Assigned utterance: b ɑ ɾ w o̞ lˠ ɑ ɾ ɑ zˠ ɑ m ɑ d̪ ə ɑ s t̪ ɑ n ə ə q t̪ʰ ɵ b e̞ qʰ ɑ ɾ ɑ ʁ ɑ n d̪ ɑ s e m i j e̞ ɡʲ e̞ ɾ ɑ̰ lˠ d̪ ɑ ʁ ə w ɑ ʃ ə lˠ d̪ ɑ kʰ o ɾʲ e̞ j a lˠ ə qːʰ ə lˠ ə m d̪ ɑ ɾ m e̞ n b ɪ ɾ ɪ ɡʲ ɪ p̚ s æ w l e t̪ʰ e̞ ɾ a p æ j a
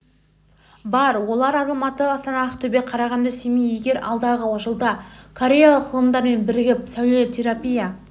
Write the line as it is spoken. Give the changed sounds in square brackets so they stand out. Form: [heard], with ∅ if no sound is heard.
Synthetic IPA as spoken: b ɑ ɾ w o̞ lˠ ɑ ɾ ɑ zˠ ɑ m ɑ [t̪] ə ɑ s t̪ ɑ n [ɑ] ə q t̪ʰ ɵ b e̞ qʰ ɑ ɾ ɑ ʁ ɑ n d̪ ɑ s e m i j e̞ ɡʲ e̞ ɾ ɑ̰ lˠ d̪ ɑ ʁ ə w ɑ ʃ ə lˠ d̪ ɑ kʰ o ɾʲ e̞ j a lˠ ə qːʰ ə lˠ ə m d̪ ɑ ɾ m e̞ n b ɪ ɾ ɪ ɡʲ ɪ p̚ s æ w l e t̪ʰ e̞ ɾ a p [i] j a

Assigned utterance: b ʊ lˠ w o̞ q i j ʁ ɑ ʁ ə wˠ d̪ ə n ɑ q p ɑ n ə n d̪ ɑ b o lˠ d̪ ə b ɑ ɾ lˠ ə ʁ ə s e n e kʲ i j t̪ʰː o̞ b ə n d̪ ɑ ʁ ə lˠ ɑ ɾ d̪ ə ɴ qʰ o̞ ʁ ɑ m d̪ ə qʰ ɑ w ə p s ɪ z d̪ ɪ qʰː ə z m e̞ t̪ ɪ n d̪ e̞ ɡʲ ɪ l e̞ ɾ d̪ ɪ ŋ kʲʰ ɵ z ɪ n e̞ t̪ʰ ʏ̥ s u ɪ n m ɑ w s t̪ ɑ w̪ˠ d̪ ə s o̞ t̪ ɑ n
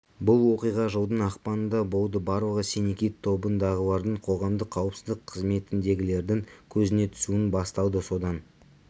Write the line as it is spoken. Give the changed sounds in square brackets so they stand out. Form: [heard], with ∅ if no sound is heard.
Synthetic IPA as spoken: b ʊ lˠ w o̞ q i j ʁ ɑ [ʒ] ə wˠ d̪ ə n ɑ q p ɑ n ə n d̪ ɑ b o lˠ d̪ ə b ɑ ɾ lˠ ə ʁ ə s e n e kʲ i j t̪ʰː o̞ b ə n d̪ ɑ ʁ ə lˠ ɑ ɾ d̪ ə ɴ qʰ o̞ ʁ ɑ m d̪ ə qʰ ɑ w ə p s ɪ z d̪ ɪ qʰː ə z m e̞ t̪ ɪ n d̪ e̞ ɡʲ ɪ l e̞ ɾ d̪ ɪ ŋ kʲʰ ɵ z ɪ n e̞ t̪ʰ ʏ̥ s u ɪ n [b] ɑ [∅] s t̪ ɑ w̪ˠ d̪ ə s o̞ [d̪] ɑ n

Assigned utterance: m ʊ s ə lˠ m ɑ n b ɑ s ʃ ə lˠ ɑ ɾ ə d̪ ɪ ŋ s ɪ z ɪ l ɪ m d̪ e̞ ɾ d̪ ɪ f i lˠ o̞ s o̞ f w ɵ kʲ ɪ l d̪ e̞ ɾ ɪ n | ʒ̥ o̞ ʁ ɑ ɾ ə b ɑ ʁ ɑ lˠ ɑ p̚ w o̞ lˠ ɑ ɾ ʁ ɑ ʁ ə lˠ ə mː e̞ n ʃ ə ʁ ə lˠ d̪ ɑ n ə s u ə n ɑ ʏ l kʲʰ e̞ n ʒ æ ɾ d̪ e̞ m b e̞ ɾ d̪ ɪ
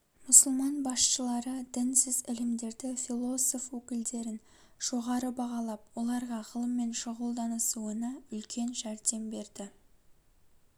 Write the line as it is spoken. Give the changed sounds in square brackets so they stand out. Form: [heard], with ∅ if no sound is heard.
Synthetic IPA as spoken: m ʊ s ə lˠ m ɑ n b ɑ s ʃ ə lˠ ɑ ɾ ə d̪ ɪ [n] s ɪ z ɪ l ɪ m d̪ e̞ ɾ d̪ ɪ f i lˠ o̞ s o̞ f w ɵ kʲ ɪ l d̪ e̞ ɾ ɪ n | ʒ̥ o̞ ʁ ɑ ɾ ə b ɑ ʁ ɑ lˠ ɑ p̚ w o̞ lˠ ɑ ɾ ʁ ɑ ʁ ə lˠ ə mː e̞ n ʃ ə ʁ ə lˠ d̪ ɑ n ə s u ə n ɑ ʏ l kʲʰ e̞ n ʒ æ ɾ d̪ e̞ m b e̞ ɾ d̪ ɪ

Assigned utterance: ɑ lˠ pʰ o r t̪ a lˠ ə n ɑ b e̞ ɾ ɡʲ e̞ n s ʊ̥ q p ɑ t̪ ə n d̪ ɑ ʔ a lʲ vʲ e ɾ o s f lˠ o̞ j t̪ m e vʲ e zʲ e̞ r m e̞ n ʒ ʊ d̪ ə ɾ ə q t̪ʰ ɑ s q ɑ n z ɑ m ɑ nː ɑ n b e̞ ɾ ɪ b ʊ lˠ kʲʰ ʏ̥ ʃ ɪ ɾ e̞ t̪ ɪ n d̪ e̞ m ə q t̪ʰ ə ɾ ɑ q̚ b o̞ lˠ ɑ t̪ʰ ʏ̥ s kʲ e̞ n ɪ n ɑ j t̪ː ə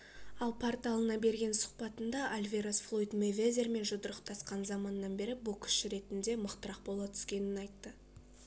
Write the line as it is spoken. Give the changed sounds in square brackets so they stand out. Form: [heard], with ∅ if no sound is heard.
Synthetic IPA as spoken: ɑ lˠ pʰ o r t̪ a lˠ ə n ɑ b e̞ ɾ ɡʲ e̞ n s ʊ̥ q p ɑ t̪ ə n d̪ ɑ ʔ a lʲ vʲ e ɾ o s f lˠ o̞ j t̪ m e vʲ e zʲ e̞ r m e̞ n ʒ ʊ d̪ ə ɾ ə q t̪ʰ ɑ s q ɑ n z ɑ m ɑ nː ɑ n b e̞ ɾ ɪ b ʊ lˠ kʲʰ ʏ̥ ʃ ɪ ɾ e̞ t̪ ɪ n d̪ e̞ m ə q [t̪] ə ɾ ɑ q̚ b o̞ lˠ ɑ t̪ʰ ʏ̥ s kʲ e̞ n ɪ n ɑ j t̪ː ə

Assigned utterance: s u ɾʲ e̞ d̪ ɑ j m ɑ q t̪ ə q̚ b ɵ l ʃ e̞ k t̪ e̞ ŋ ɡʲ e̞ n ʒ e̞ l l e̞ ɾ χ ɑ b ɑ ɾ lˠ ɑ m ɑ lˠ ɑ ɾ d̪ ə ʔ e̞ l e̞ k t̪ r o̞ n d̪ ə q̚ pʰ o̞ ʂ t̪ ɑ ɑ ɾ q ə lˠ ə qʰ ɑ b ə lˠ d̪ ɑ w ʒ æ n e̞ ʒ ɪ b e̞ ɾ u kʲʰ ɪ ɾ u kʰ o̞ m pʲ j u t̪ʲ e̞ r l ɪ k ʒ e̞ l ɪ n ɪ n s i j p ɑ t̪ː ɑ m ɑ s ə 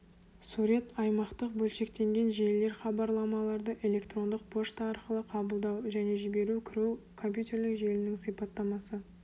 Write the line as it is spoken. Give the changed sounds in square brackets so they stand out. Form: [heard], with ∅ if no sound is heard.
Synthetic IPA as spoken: s u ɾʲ e̞ [t̪] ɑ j m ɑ q t̪ ə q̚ b ɵ l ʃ e̞ k t̪ e̞ ŋ ɡʲ e̞ n ʒ e̞ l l e̞ ɾ χ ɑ b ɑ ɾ lˠ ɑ m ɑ lˠ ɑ ɾ d̪ ə ʔ e̞ l e̞ k t̪ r o̞ n d̪ ə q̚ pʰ o̞ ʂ t̪ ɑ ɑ ɾ q ə lˠ ə qʰ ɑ b ə lˠ d̪ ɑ w ʒ æ n e̞ ʒ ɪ b e̞ ɾ u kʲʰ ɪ ɾ u kʰ o̞ m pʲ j u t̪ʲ e̞ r l ɪ k ʒ e̞ l ɪ n ɪ [ŋ] s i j p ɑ t̪ː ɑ m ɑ s ə

